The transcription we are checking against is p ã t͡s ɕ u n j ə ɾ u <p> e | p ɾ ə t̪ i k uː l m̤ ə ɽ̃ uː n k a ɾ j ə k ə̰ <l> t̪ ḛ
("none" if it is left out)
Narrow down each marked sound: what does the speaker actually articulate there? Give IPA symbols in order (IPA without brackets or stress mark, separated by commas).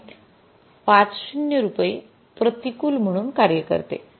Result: p, ɾ